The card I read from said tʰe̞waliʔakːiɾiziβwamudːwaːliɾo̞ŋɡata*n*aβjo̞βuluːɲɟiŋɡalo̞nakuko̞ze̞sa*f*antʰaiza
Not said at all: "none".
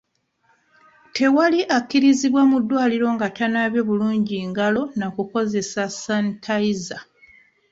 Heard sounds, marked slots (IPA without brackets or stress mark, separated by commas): n, s